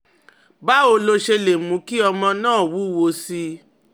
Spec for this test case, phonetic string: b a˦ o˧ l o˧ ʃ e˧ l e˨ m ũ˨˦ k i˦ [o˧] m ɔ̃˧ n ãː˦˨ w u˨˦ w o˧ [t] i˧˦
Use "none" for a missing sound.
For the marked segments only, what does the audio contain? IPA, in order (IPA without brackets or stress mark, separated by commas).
ɔ˧, s